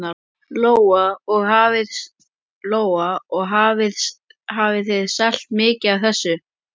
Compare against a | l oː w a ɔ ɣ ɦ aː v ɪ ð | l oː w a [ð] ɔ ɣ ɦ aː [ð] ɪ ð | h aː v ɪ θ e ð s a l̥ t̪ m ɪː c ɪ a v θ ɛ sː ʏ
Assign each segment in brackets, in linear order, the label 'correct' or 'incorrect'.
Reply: incorrect, incorrect

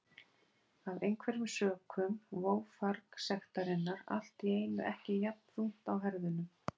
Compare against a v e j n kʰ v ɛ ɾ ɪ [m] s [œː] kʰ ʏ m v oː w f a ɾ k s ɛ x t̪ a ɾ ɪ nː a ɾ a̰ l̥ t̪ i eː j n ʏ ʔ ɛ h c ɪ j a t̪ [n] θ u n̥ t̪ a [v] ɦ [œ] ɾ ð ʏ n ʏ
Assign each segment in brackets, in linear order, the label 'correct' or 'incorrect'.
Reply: correct, correct, correct, incorrect, incorrect

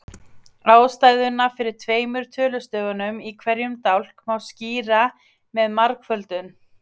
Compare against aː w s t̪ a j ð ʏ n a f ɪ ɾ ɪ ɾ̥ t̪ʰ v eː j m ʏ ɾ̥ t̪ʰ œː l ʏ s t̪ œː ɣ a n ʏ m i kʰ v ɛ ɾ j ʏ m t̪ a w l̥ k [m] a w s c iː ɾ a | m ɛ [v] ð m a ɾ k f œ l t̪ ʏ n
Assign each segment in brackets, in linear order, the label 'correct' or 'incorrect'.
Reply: correct, incorrect

